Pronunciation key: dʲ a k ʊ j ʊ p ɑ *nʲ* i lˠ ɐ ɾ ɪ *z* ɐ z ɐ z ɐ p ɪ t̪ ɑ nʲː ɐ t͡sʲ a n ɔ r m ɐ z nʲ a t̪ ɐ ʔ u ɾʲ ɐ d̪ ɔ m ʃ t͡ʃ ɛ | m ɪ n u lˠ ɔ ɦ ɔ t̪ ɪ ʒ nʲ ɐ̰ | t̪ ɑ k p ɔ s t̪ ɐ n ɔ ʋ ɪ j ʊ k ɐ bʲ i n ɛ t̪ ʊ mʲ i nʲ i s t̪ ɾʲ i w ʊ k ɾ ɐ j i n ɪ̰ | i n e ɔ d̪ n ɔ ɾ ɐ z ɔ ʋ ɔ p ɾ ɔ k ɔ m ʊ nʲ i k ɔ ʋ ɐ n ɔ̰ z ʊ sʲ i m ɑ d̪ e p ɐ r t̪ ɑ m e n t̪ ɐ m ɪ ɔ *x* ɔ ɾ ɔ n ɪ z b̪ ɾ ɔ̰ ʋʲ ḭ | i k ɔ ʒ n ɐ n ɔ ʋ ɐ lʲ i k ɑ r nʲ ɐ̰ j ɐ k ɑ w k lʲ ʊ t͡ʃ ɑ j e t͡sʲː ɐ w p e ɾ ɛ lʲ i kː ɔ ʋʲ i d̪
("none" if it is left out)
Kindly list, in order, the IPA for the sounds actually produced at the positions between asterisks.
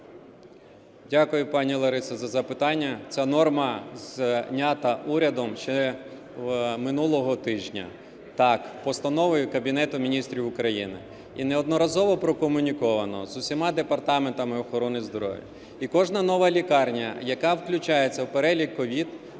nʲ, s, x

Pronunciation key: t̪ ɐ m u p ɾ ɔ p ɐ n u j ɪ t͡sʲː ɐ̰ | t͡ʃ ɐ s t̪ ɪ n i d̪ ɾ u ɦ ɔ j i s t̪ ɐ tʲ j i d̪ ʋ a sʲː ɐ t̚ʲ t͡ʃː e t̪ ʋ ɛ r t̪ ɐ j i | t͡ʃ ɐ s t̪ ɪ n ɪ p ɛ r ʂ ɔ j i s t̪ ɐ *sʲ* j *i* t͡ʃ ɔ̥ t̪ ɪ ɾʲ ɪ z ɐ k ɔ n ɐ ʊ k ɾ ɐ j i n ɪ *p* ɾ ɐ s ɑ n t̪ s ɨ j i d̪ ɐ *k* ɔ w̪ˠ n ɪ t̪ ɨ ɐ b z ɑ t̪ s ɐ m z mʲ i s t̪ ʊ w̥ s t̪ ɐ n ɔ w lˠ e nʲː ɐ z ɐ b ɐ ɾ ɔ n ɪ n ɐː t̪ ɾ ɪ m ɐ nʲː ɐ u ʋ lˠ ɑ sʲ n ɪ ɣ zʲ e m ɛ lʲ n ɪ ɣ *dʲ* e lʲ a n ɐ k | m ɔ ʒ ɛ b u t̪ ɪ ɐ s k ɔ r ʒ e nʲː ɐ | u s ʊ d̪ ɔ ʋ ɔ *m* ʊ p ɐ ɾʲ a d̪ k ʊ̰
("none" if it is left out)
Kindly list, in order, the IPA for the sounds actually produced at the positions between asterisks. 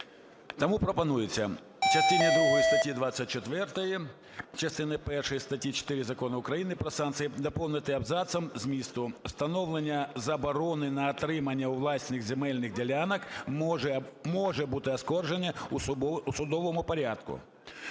tʲ, i, p, p, dʲ, m

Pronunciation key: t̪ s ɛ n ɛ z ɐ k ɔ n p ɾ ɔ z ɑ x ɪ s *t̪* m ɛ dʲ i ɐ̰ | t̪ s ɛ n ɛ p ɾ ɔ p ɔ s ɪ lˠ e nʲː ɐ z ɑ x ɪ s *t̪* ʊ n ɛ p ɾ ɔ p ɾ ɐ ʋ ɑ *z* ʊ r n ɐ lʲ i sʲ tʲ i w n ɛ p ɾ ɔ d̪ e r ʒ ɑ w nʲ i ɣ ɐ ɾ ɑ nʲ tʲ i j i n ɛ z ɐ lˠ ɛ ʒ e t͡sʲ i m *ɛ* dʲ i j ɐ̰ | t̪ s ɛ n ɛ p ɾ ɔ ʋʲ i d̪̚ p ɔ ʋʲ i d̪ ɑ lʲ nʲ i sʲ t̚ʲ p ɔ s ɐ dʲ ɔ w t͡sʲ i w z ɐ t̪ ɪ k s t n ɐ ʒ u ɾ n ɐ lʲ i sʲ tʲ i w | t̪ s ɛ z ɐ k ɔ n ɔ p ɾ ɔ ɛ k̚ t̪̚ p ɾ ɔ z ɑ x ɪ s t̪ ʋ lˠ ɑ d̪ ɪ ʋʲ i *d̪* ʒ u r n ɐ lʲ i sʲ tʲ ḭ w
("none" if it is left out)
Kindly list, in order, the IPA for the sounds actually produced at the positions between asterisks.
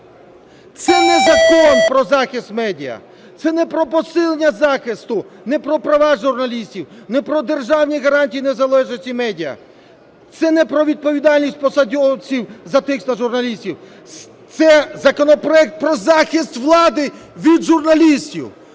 t̪, t̪, ʒ, ɛ, d̪

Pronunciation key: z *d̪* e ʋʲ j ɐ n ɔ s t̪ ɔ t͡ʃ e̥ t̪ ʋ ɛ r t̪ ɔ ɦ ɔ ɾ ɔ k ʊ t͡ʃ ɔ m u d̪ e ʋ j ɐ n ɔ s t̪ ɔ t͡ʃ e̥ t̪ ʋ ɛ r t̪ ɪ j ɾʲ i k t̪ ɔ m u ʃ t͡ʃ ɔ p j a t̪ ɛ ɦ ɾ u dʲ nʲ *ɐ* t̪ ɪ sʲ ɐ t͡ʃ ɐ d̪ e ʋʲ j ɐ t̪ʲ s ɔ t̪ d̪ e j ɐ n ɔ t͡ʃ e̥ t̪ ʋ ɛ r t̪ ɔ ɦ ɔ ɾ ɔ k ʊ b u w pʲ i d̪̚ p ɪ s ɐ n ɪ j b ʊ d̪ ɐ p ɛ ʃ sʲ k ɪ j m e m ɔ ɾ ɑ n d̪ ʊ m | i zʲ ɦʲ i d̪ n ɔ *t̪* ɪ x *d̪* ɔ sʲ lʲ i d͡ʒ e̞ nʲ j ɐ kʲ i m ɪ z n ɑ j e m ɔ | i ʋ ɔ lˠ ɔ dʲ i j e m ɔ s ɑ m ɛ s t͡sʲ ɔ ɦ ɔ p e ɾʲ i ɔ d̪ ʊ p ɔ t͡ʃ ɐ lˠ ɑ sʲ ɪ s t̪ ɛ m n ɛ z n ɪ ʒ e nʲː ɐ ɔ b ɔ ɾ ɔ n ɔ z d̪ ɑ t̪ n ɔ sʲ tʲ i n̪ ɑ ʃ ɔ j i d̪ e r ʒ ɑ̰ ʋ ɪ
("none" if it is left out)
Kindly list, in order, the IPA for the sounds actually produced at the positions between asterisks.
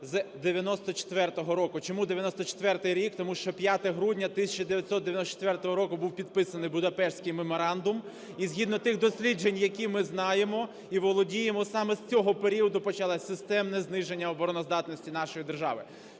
d̪, ɐ, t̪, d̪

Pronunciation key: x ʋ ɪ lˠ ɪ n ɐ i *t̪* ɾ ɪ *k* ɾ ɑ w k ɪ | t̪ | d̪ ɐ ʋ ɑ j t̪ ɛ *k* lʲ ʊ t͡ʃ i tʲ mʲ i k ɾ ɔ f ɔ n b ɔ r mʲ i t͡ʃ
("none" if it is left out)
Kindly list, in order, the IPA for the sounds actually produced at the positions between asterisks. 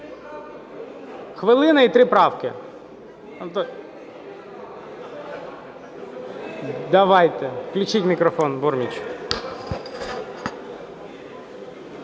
t̪, p, k

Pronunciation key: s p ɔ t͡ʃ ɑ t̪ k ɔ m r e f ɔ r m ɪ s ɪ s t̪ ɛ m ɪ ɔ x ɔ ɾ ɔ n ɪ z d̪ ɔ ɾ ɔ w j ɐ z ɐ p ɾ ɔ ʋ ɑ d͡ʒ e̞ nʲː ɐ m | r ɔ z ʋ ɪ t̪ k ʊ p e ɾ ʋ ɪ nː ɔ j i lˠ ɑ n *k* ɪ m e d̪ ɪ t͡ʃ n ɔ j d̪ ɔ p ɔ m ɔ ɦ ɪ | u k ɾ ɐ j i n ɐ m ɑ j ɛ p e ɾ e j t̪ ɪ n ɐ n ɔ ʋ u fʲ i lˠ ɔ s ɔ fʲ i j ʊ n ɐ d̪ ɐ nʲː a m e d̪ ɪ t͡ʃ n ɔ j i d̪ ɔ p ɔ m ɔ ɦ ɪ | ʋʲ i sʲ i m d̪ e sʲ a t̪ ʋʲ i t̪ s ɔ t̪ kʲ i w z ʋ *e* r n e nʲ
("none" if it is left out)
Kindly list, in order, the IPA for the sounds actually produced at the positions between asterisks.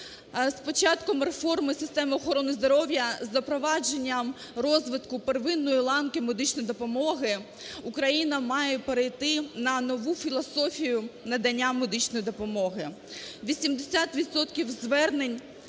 k, ɛ

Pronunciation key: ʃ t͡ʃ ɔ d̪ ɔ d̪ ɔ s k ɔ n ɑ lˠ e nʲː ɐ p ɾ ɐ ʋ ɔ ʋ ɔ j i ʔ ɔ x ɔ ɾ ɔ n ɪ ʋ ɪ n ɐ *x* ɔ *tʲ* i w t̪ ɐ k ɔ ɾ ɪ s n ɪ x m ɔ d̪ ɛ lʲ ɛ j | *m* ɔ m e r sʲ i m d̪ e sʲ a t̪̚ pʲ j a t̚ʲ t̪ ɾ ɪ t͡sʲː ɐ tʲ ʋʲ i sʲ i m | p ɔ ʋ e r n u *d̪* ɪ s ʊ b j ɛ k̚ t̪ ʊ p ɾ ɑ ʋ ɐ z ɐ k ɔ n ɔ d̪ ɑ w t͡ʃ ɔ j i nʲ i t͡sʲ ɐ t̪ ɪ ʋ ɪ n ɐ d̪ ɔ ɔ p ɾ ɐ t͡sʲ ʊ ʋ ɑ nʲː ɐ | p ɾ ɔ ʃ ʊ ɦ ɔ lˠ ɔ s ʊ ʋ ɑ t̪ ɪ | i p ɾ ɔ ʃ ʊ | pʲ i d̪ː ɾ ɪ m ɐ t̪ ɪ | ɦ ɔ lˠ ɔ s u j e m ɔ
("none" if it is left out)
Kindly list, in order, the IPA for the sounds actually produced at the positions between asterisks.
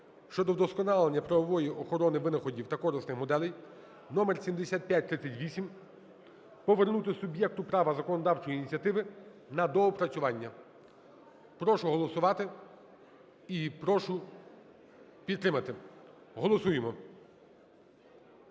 x, dʲ, n, t̪

